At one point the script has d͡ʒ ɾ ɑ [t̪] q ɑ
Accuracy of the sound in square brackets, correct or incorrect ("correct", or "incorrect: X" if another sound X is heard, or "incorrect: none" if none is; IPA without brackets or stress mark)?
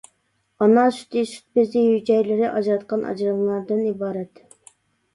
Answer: correct